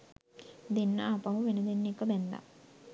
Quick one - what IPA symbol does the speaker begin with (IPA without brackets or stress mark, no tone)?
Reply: d̪